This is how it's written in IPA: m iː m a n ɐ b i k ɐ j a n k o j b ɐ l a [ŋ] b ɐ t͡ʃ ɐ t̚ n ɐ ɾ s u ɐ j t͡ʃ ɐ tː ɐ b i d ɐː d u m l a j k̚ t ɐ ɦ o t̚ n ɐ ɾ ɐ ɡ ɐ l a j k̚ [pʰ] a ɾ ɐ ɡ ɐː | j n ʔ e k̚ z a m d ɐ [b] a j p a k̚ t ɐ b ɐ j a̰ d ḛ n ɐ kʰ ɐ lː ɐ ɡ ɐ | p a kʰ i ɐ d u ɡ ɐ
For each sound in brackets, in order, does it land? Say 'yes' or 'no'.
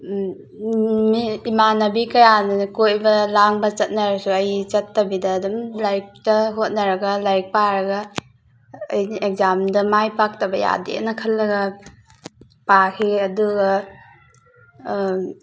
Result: yes, no, no

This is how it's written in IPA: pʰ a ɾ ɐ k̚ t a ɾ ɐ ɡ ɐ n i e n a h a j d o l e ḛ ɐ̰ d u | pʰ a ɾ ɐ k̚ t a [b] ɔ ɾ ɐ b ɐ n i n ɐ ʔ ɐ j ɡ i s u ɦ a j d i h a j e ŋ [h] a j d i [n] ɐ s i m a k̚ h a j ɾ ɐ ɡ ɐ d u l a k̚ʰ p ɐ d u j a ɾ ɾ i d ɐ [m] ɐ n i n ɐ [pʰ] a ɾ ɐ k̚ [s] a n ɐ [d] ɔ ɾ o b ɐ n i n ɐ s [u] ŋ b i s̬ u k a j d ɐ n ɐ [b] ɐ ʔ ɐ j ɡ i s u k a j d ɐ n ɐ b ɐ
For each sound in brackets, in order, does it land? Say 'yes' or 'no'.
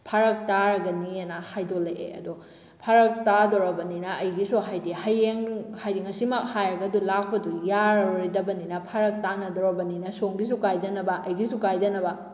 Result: no, yes, no, no, yes, no, yes, no, yes

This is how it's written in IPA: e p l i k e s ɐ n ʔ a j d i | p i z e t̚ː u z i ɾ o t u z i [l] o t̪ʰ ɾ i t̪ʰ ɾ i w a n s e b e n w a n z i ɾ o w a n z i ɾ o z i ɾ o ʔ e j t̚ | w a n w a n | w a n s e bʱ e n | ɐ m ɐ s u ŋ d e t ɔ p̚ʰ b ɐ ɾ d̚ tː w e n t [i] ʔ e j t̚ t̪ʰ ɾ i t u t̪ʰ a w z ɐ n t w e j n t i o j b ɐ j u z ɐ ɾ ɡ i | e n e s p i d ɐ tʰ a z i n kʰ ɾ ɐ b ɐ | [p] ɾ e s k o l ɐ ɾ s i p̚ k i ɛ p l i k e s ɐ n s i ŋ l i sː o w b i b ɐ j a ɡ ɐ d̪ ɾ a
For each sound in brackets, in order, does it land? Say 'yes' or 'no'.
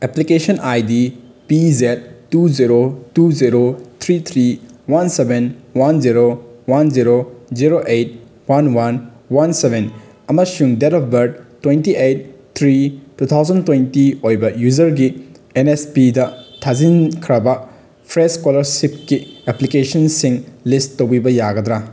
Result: no, yes, no

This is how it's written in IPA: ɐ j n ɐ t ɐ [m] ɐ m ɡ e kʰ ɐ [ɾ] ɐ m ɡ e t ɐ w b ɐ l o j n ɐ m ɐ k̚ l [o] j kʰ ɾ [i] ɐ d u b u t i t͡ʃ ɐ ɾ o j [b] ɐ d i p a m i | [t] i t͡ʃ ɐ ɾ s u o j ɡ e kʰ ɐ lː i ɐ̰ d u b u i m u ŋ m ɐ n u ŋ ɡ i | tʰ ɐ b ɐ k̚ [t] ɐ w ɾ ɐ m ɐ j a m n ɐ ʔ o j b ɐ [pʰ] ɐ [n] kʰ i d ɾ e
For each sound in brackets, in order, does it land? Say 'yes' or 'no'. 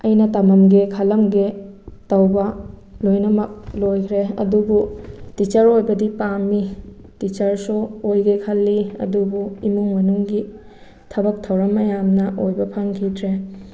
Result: yes, no, yes, no, yes, yes, no, yes, no

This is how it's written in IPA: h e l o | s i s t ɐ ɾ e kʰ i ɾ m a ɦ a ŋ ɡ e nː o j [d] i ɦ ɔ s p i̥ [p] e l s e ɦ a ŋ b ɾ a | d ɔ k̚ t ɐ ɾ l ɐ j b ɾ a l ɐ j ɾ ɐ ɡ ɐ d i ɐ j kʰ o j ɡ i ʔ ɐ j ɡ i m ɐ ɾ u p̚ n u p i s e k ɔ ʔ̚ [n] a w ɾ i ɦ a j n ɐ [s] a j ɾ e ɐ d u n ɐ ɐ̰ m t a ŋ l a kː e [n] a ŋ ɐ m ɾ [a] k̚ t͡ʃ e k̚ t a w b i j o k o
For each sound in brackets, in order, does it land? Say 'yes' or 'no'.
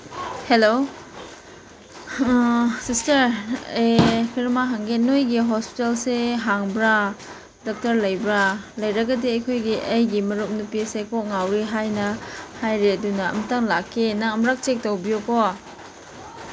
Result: no, no, no, no, yes, yes

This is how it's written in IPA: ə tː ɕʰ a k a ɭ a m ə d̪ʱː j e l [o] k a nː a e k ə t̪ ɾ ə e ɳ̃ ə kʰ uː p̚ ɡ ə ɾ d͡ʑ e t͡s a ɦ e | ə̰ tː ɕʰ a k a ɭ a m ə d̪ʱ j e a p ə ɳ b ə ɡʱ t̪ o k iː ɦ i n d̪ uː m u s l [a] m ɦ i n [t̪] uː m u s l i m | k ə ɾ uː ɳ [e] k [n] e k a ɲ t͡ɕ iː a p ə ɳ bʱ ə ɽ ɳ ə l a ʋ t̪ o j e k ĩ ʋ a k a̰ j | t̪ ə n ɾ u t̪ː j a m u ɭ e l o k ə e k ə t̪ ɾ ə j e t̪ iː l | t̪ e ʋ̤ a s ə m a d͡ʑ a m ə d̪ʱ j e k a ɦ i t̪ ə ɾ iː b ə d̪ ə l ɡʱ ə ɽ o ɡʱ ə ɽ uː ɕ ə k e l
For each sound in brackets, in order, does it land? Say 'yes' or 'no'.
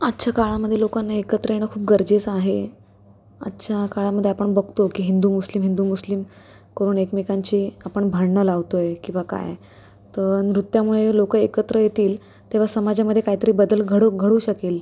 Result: yes, no, no, yes, no

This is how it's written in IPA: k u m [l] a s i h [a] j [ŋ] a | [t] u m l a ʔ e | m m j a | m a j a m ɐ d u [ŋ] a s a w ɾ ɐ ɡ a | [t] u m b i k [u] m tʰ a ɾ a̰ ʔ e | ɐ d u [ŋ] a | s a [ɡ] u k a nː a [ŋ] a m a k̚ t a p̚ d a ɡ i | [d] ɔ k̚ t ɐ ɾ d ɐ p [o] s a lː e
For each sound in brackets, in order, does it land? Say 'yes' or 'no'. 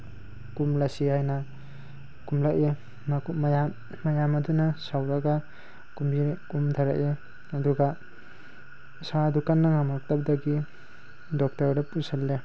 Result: yes, yes, no, no, no, no, yes, no, no, yes, yes, no

